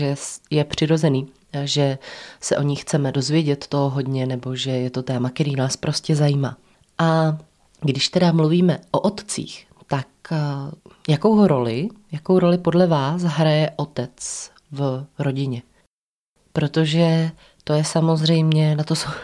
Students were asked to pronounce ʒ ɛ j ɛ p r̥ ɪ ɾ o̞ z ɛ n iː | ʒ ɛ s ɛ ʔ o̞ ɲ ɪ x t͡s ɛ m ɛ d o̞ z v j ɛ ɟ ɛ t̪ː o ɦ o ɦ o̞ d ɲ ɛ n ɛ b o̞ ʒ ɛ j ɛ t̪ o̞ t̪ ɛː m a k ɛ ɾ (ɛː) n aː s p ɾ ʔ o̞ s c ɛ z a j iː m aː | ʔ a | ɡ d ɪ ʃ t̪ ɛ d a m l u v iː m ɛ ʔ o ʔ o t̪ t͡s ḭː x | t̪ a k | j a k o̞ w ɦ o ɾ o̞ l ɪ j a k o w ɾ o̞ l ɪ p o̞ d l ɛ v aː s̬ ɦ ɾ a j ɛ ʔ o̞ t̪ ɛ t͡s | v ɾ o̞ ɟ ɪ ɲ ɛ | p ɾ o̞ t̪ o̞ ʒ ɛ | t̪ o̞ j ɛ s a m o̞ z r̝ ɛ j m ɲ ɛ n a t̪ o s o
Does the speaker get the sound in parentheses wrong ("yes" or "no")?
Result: yes